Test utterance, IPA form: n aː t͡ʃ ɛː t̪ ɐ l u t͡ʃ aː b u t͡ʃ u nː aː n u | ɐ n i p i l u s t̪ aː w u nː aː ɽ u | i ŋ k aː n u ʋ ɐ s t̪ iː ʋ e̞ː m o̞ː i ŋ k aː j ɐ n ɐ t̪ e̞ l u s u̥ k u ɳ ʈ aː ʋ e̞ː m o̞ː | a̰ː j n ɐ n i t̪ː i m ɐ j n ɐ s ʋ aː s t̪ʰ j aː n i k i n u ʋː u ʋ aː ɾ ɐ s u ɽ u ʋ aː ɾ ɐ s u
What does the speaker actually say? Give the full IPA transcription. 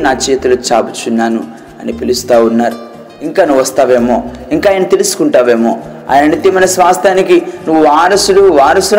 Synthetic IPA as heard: n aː t͡ʃ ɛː t̪ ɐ l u t͡ʃ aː b u t͡ʃ u nː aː n u | ɐ n i p i l u s t̪ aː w u nː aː ɾ u | i ŋ k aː n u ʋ ɐ s t̪ aː ʋ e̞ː m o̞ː i ŋ k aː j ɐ n ɐ t̪ e̞ l u s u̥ k u ɳ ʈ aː ʋ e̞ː m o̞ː | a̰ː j n ɐ n i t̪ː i m ɐ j n ɐ s ʋ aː s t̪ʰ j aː n i k i n u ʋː u ʋ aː ɾ ɐ s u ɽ u ʋ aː ɾ ɐ s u